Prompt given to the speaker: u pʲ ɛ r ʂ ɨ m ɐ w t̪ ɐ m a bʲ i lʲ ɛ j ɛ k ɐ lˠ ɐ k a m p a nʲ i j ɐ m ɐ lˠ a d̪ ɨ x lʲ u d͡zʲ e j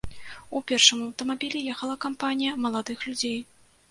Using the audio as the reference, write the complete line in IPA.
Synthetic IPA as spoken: u pʲ ɛ r ʂ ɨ m ɐ w t̪ ɐ m a bʲ i lʲ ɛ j ɛ x ɐ lˠ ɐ k a m p a nʲ i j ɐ m ɐ lˠ a d̪ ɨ x lʲ u d͡zʲ e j